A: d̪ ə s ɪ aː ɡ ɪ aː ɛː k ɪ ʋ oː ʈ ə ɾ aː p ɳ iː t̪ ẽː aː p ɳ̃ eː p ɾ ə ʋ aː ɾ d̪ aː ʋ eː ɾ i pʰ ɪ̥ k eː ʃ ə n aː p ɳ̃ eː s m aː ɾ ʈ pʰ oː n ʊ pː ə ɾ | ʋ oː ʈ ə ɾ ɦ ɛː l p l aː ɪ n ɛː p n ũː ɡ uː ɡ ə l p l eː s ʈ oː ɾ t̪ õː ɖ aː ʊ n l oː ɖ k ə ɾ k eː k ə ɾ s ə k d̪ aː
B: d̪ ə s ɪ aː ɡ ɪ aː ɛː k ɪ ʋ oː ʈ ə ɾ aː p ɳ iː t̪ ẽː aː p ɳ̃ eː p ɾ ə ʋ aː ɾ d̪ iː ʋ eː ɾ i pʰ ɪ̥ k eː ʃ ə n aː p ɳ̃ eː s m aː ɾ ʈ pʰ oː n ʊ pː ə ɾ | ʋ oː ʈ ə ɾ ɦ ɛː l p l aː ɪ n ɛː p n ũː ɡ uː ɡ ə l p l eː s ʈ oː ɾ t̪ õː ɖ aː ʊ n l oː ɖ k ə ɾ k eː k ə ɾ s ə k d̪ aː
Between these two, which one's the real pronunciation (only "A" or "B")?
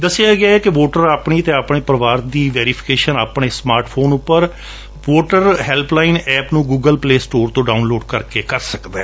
B